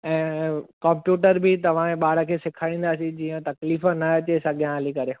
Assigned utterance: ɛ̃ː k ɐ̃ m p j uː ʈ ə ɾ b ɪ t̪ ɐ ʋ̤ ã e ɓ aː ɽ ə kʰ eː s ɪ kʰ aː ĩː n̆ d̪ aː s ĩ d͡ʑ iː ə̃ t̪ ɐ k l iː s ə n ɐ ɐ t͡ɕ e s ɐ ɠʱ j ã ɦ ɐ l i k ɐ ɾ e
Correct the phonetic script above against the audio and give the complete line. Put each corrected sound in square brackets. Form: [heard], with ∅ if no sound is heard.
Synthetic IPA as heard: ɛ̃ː k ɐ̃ m p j uː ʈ ə ɾ b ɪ t̪ ɐ ʋ̤ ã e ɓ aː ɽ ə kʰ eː s ɪ kʰ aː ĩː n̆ d̪ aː s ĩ d͡ʑ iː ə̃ t̪ ɐ k l iː [f] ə n ɐ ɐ t͡ɕ e s ɐ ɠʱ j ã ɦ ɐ l i k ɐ ɾ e